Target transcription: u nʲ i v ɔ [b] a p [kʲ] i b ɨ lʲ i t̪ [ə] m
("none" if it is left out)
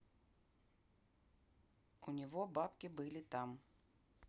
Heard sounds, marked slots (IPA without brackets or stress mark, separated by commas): b, kʲ, a